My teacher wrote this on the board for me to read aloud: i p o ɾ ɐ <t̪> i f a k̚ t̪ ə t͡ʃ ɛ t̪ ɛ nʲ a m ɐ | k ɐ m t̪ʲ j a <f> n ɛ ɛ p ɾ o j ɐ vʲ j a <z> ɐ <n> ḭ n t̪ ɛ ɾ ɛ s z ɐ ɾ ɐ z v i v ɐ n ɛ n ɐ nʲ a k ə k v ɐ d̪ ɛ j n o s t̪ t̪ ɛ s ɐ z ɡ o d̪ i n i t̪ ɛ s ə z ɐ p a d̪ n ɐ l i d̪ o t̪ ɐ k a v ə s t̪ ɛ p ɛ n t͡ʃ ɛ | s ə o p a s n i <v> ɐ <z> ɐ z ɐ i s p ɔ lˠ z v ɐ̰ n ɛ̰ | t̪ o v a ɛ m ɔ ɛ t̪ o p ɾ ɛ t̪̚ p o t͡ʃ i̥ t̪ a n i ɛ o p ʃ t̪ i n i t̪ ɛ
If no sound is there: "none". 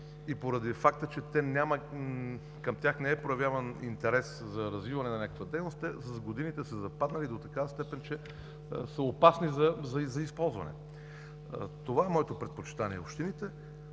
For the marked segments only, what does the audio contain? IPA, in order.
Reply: d̪, x, v, n, z, z

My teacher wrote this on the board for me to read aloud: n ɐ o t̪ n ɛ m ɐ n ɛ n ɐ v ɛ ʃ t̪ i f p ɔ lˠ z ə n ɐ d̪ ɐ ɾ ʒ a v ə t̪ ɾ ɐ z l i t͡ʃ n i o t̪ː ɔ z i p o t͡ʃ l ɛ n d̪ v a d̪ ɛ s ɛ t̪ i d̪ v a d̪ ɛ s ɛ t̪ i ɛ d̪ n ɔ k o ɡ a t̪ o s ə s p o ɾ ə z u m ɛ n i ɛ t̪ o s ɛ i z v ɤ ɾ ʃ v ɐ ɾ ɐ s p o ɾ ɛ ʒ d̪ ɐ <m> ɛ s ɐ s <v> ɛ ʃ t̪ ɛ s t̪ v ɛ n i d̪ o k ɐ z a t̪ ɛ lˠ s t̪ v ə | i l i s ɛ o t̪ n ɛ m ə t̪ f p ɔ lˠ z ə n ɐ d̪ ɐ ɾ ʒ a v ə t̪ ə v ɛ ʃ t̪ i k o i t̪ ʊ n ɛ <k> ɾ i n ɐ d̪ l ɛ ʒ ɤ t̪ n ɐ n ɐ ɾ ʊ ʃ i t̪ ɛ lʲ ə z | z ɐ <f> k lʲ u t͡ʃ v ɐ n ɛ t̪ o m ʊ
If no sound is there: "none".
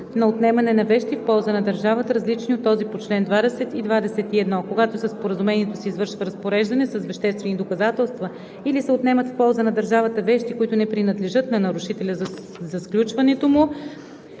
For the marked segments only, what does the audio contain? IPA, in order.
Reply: n, v, p, s

